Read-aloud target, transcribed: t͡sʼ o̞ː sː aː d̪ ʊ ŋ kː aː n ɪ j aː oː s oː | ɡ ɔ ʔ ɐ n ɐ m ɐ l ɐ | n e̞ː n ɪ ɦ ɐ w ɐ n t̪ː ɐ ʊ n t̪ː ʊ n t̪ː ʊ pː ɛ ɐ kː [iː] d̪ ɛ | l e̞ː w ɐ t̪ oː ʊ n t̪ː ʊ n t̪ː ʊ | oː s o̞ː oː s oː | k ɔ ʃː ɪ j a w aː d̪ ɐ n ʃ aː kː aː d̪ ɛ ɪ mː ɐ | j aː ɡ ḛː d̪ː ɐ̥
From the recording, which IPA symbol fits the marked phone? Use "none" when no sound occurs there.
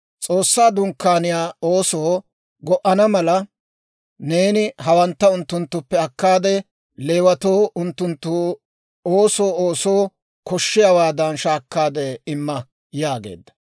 aː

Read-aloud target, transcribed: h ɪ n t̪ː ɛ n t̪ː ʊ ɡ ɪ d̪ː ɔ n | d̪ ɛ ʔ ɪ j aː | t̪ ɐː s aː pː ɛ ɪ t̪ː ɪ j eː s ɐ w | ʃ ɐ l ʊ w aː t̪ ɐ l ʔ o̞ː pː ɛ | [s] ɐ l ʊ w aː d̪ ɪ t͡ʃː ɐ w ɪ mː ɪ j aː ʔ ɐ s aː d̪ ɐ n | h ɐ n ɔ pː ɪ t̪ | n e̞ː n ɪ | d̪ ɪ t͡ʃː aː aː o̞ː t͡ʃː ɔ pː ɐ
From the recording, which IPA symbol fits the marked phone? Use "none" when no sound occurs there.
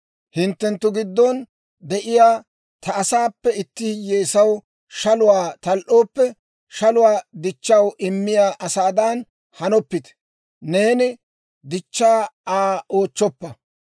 ʃ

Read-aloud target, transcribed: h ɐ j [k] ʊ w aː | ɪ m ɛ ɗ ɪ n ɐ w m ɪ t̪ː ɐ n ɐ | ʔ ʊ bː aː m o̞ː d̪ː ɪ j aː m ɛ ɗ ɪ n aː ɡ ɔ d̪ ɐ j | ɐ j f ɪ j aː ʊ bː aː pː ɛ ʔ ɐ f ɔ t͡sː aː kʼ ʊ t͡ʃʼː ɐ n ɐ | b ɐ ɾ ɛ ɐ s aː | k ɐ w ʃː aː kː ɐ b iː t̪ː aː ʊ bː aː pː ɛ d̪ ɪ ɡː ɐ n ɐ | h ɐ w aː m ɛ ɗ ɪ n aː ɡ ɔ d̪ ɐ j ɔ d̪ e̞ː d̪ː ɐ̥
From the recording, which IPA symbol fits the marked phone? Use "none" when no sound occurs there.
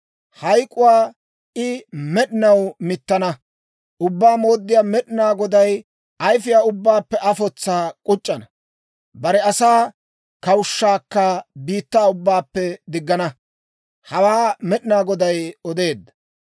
kʼ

